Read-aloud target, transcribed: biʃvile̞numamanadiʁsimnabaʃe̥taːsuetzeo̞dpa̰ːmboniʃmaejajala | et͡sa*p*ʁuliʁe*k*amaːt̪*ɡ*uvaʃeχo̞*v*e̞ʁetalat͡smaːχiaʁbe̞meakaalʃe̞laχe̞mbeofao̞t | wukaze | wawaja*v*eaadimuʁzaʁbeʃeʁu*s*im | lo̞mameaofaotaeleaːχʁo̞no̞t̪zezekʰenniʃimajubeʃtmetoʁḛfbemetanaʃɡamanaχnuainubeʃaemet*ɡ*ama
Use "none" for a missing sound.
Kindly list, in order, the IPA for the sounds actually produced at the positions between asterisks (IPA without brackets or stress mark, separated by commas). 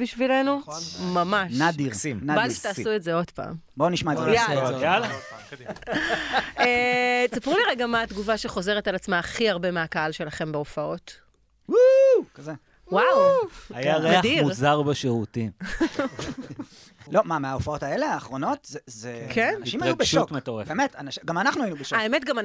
p, ɡ, ɡ, z, ʁ, t, ɡ